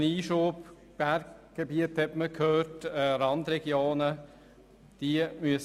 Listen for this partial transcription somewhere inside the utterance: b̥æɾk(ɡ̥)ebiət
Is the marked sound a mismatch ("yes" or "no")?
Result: no